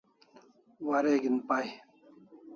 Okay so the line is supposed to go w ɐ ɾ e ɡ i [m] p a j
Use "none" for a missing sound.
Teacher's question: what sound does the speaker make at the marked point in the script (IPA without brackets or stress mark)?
n